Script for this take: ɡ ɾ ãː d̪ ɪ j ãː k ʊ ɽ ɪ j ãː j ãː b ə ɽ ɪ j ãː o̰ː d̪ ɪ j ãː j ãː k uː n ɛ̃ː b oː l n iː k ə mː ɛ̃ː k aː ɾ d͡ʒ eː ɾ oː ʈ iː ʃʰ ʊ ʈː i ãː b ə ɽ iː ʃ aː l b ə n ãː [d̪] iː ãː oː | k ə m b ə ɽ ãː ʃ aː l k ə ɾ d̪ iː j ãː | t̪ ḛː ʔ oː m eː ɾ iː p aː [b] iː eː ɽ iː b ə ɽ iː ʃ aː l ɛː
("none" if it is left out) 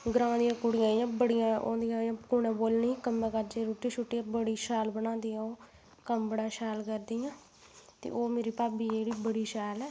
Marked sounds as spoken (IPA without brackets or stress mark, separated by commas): d̪, b